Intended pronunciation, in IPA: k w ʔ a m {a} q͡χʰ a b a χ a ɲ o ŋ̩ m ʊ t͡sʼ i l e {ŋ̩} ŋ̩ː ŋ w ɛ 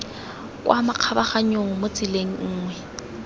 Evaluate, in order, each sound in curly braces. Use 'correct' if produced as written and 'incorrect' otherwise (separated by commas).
correct, correct